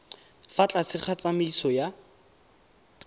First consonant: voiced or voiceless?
voiceless